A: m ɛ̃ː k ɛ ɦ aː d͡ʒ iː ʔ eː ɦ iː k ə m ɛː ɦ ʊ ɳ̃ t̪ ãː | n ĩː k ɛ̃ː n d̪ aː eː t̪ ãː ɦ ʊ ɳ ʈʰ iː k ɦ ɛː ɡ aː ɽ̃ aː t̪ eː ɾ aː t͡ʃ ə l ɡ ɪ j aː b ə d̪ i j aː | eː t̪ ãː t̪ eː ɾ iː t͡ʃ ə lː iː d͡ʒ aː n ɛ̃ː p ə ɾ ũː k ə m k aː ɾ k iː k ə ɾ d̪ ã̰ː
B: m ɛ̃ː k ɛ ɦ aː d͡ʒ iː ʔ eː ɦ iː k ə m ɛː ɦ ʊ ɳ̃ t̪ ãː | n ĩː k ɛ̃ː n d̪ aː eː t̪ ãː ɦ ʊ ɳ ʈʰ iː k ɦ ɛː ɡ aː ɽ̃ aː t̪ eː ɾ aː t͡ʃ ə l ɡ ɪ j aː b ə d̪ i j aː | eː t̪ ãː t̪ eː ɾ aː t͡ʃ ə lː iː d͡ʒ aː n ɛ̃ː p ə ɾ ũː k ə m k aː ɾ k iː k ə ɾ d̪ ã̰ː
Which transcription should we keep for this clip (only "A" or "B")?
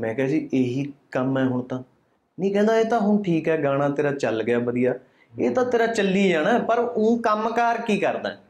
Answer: B